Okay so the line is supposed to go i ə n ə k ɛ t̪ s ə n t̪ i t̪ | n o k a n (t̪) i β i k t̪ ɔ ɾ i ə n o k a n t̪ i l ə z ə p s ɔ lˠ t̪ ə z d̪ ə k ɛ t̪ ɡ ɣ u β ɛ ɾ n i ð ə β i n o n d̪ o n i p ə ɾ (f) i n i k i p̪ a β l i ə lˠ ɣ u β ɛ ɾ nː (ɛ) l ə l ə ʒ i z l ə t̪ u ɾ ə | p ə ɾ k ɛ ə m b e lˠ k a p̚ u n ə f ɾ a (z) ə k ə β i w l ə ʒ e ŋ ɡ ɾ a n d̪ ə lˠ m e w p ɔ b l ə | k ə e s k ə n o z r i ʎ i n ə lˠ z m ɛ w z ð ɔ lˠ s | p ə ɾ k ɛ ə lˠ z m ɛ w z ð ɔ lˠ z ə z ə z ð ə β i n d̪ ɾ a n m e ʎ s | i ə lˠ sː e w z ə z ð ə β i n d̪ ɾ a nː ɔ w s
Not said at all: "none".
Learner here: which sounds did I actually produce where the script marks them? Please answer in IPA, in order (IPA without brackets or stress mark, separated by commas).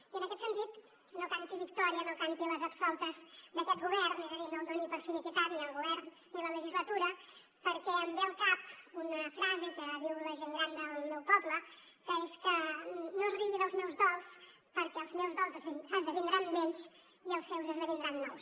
t̪, f, i, z